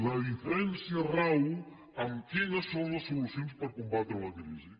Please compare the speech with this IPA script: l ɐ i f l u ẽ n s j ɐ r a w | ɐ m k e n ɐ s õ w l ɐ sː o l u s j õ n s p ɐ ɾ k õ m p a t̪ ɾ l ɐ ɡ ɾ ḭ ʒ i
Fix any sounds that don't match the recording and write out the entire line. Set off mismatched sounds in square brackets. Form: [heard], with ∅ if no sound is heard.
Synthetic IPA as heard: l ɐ i f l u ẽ n s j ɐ r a w | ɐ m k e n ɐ s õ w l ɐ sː o l u s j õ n s p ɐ ɾ k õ m [b] a t̪ ɾ l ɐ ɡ ɾ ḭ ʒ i